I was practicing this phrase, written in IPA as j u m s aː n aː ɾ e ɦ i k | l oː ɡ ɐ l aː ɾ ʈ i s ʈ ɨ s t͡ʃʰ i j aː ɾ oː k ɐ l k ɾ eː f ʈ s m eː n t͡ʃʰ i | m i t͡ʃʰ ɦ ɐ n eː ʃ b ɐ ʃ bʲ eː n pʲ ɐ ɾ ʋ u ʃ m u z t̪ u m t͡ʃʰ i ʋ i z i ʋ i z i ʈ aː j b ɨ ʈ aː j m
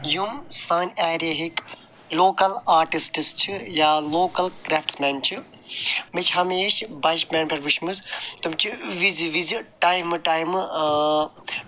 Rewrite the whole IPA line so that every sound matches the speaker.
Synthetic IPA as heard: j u m s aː n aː ɾ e ɦ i k | l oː k ɐ l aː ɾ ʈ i s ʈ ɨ s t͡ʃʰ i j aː l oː k ɐ l k ɾ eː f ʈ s m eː n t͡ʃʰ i | m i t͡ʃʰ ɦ ɐ m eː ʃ b ɐ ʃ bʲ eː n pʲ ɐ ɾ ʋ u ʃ m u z t̪ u m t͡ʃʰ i ʋ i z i ʋ i z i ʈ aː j m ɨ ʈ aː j m